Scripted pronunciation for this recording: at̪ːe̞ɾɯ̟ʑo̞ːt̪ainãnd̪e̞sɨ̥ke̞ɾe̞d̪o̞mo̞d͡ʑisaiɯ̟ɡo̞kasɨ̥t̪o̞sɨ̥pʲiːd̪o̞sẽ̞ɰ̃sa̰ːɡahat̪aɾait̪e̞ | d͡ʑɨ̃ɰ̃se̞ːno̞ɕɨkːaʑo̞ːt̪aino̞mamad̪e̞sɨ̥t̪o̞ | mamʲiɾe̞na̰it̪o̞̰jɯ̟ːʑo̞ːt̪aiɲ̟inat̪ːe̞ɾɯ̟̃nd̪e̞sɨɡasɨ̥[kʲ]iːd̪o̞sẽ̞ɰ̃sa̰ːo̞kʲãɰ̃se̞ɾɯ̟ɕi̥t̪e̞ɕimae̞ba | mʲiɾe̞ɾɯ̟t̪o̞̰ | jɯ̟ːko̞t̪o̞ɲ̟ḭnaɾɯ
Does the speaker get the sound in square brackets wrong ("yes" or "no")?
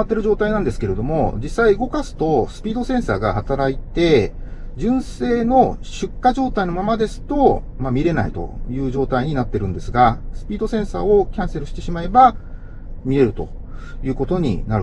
yes